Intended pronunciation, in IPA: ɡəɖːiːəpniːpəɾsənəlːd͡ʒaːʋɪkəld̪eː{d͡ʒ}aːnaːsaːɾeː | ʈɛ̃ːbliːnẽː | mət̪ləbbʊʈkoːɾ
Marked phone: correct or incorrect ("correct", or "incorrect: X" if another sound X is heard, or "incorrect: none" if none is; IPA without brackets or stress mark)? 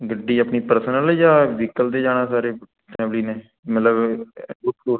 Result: correct